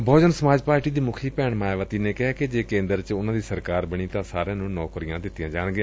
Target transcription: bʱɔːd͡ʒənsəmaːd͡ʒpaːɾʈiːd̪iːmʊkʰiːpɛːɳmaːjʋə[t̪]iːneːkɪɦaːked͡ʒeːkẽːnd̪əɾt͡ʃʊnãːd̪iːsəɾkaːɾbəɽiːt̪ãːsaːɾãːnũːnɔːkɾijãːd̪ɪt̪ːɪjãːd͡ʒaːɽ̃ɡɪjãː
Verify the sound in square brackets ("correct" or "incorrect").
correct